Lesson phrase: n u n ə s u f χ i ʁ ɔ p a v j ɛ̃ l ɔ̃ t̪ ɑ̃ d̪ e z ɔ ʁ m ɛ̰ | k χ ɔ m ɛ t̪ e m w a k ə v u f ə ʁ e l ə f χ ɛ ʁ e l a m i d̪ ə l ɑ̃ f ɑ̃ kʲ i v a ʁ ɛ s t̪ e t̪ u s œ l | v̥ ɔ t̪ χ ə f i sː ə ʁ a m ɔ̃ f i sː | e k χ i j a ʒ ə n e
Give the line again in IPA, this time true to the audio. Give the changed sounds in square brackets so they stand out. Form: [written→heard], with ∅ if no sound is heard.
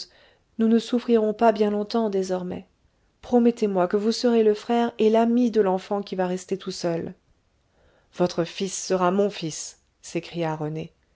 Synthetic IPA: n u n ə s u f χ i ʁ [ɔ→ɔ̃] p a [v→b] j ɛ̃ l ɔ̃ t̪ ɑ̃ d̪ e z ɔ ʁ m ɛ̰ | [k→p] χ ɔ m ɛ t̪ e m w a k ə v u [f→s] ə ʁ e l ə f χ ɛ ʁ e l a m i d̪ ə l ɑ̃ f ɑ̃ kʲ i v a ʁ ɛ s t̪ e t̪ u s œ l | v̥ ɔ t̪ χ ə f i sː ə ʁ a m ɔ̃ f i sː | e k χ i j a [ʒ→ʁ] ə n e